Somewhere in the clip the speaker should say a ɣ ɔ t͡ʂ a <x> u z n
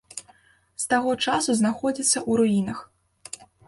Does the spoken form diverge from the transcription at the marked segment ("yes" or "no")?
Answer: yes